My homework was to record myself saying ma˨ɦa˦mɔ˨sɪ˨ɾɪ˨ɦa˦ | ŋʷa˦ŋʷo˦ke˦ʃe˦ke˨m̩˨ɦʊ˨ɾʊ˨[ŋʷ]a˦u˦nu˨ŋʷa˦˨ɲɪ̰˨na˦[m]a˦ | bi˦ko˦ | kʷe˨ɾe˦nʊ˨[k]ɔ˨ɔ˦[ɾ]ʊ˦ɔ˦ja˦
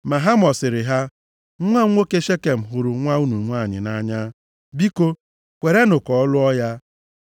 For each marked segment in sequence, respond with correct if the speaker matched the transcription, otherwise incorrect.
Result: correct, incorrect, correct, incorrect

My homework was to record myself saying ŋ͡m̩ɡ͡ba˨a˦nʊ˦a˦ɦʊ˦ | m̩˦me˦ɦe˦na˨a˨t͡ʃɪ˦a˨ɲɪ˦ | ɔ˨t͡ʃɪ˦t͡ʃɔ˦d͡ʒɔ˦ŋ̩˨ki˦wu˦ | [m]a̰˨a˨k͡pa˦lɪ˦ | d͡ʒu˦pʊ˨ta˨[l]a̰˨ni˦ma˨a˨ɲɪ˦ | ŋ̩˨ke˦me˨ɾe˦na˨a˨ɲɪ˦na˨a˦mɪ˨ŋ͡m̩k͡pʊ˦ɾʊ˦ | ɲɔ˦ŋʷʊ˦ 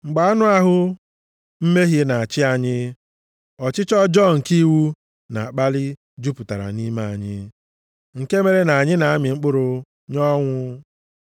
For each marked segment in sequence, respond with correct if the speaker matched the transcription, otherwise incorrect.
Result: incorrect, incorrect

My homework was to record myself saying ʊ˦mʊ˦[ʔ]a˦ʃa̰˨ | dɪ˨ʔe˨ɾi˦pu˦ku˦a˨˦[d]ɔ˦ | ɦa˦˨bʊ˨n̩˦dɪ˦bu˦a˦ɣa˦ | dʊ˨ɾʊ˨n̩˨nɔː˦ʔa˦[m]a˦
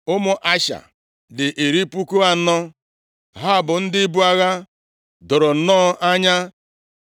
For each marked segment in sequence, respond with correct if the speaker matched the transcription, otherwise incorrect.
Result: correct, incorrect, incorrect

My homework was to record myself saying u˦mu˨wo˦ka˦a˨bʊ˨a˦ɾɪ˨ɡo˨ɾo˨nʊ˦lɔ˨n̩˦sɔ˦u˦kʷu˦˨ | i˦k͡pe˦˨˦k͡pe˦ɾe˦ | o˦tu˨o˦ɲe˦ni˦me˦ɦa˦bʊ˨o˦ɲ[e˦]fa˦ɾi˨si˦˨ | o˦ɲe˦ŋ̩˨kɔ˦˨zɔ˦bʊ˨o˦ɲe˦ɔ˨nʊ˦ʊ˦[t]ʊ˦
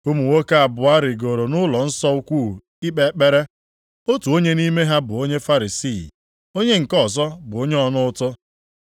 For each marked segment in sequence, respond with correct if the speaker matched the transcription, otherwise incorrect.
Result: correct, correct

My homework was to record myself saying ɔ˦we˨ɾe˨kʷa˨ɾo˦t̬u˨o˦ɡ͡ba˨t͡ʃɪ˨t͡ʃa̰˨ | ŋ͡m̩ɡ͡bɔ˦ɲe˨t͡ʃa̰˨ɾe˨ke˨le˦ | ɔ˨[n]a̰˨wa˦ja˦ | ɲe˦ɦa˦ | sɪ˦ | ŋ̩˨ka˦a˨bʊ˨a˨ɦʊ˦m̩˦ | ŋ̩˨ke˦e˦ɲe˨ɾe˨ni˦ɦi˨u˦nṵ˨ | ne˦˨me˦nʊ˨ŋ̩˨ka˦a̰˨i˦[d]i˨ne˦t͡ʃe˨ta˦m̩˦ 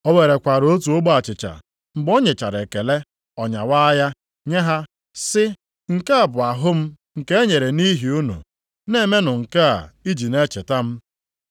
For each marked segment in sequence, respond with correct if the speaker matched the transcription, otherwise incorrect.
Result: incorrect, incorrect

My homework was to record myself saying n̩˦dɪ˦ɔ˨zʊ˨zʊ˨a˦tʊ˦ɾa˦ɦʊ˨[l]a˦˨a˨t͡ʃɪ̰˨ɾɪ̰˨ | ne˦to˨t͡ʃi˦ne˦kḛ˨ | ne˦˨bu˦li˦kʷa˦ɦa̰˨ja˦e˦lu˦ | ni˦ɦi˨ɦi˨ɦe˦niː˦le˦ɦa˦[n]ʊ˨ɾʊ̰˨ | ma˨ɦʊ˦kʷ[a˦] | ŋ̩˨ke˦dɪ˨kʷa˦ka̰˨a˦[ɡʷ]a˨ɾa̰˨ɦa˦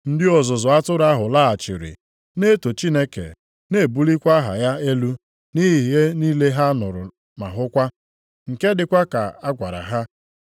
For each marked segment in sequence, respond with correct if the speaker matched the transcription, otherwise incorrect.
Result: correct, correct, correct, correct

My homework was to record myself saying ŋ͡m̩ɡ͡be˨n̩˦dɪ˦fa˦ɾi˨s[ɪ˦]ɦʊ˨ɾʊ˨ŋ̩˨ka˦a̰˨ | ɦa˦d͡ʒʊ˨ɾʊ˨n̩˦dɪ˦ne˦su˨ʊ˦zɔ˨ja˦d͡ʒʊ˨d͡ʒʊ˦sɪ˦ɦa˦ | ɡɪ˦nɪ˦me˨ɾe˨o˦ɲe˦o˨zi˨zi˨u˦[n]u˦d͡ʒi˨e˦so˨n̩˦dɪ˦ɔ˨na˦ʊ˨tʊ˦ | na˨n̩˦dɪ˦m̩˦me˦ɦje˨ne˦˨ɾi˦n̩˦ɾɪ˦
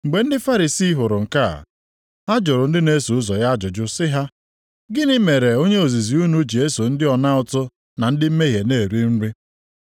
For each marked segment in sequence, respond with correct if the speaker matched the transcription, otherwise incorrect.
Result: incorrect, correct

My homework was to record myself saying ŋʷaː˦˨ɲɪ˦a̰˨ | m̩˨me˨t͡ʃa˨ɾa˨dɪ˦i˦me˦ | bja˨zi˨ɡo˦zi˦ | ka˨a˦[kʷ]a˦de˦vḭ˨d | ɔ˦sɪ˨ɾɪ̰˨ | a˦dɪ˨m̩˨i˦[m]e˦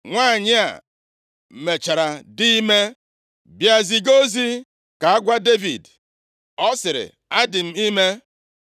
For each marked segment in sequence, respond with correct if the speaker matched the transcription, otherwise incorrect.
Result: incorrect, correct

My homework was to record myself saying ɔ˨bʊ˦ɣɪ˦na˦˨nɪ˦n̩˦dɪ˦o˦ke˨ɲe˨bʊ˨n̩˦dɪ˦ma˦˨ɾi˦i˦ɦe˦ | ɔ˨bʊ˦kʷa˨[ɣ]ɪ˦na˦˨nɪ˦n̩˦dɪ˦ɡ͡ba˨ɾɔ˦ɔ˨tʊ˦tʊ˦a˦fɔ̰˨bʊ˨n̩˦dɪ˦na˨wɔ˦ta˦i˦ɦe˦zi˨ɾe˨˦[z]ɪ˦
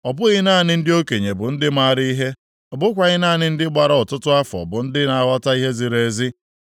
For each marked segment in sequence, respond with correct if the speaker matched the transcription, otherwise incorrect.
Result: correct, correct

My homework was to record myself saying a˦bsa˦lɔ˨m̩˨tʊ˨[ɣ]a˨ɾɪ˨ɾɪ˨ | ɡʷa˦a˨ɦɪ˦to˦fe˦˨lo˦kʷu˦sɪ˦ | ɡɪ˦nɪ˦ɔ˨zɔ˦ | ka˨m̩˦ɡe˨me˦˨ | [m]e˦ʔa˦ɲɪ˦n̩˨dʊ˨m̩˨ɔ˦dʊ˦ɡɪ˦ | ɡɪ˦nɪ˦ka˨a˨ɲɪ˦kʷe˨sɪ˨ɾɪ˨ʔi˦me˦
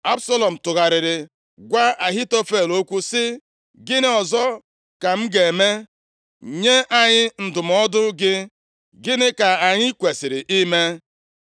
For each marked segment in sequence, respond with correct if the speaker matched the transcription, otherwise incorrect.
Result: correct, incorrect

